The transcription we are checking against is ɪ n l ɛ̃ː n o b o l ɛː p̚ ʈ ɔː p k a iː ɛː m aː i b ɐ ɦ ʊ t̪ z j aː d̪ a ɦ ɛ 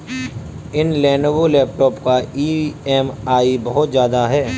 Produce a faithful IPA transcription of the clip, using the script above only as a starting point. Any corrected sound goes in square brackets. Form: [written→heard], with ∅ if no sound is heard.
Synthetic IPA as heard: ɪ n l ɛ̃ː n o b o l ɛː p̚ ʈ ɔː p k a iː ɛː m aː i b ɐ ɦ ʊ t̪ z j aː d̪ a ɦ [ɛ→ɛː]

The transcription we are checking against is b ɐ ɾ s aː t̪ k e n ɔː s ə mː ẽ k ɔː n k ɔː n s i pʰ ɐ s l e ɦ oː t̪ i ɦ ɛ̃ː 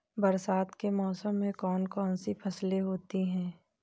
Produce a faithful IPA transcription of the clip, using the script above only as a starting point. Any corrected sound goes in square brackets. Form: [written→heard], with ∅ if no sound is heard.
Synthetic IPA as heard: b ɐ ɾ s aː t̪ k e [n→m] ɔː s ə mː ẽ k ɔː n k ɔː n s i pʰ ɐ s l e ɦ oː t̪ i ɦ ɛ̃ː

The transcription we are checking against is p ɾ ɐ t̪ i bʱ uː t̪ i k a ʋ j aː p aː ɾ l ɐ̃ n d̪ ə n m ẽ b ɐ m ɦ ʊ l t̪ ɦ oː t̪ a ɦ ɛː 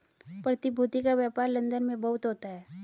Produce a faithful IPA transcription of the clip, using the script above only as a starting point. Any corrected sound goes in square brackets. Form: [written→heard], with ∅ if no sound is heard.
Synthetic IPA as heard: p ɾ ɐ t̪ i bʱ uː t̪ i k a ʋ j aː p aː ɾ l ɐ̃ n d̪ ə n m ẽ b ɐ [m→∅] ɦ ʊ [l→∅] t̪ ɦ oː t̪ a ɦ ɛː

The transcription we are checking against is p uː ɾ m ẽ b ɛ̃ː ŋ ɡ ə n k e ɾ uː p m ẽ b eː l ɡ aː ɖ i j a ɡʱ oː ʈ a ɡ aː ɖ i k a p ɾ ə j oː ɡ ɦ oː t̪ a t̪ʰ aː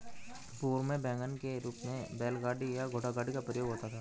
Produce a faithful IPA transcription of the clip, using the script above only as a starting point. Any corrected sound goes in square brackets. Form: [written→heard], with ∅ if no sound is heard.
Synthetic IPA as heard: p uː ɾ m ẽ b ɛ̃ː ŋ ɡ ə n k e ɾ uː p m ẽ b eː l ɡ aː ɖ i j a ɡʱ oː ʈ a ɡ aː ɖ i k a p ɾ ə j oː ɡ ɦ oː t̪ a t̪ʰ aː

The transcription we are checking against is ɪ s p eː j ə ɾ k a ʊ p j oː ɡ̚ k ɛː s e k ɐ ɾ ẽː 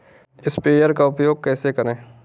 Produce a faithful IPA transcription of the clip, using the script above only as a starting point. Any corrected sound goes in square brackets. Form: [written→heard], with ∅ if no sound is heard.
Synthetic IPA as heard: ɪ s p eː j ə ɾ k a ʊ p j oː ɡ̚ k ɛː s e k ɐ ɾ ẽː

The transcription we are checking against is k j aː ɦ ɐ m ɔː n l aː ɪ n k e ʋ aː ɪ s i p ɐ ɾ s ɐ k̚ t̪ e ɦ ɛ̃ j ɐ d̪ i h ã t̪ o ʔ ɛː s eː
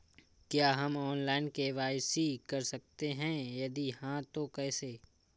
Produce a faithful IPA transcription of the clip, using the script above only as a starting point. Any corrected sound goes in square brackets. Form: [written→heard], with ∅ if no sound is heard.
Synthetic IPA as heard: k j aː ɦ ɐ m ɔː n l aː ɪ n k e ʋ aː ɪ s i [p→k] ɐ ɾ s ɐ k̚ t̪ e ɦ ɛ̃ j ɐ d̪ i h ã t̪ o [ʔ→k] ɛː s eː

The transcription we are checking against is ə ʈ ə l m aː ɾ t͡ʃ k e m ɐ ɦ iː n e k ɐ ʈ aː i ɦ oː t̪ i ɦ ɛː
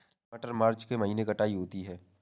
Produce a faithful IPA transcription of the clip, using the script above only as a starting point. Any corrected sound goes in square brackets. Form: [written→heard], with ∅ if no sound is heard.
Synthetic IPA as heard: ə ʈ ə [l→ɾ] m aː ɾ t͡ʃ k e m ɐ ɦ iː n e k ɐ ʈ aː i ɦ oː t̪ i ɦ ɛː

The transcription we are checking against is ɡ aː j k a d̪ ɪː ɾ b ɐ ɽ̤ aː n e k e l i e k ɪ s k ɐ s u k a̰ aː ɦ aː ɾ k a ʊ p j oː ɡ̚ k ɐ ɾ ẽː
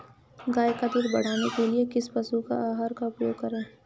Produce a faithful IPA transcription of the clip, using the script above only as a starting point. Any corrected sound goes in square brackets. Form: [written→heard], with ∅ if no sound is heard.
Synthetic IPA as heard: ɡ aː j k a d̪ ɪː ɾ b ɐ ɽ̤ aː n e k e l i e k ɪ s [k→p] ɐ s u k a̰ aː ɦ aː ɾ k a ʊ p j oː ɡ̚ k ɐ ɾ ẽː

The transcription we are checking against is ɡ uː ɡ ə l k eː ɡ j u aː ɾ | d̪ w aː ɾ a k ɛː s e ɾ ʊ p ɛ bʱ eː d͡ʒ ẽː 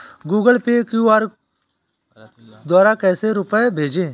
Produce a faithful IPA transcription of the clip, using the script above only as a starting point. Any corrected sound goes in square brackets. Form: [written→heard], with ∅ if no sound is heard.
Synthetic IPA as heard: ɡ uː ɡ ə l [k→p] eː [ɡ→k] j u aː ɾ | d̪ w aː ɾ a k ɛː s e ɾ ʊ p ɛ bʱ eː d͡ʒ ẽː

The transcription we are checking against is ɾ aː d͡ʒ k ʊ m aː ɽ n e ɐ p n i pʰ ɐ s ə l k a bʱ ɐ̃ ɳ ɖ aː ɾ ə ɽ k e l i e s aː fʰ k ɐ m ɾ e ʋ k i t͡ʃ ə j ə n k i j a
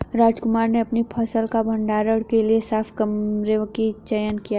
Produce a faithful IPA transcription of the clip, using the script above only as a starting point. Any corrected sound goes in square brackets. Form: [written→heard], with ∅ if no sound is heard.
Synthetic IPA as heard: ɾ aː d͡ʒ k ʊ m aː [ɽ→ɾ] n e ɐ p n i pʰ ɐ s ə l k a bʱ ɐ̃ ɳ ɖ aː ɾ ə ɽ k e l i e s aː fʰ k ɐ m ɾ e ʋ k i t͡ʃ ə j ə n k i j a

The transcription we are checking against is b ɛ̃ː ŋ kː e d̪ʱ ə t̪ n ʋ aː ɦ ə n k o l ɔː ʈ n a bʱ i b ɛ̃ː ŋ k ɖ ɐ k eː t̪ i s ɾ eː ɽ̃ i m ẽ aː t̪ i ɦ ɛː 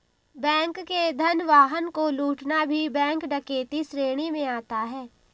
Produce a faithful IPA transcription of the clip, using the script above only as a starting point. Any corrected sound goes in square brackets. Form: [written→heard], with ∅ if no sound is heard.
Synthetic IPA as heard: b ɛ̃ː ŋ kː e d̪ʱ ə [t̪→∅] n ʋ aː ɦ ə n k o l [ɔː→uː] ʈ n a bʱ i b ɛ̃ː ŋ k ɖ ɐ k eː t̪ i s ɾ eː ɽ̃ i m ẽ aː t̪ [i→a] ɦ ɛː

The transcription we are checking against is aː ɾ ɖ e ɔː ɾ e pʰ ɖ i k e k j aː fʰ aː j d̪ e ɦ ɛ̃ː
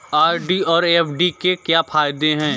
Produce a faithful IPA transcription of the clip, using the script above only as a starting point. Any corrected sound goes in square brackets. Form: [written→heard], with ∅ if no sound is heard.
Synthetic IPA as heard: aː ɾ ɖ [e→i] ɔː ɾ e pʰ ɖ i k e k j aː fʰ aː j d̪ e ɦ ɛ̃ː

